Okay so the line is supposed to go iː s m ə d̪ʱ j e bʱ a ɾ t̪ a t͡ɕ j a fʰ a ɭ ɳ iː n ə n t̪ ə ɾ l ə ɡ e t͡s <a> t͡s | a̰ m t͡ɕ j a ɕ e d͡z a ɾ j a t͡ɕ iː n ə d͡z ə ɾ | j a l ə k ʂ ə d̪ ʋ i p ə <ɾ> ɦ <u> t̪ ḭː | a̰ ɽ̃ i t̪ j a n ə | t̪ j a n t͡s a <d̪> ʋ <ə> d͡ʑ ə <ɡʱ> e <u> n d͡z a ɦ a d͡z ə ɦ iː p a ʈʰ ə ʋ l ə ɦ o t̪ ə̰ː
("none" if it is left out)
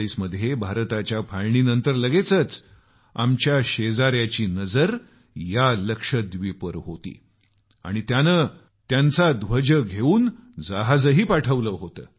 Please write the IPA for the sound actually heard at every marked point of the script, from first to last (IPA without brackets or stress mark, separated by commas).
ə, ɾ, o, d̪, ə, ɡʱ, uː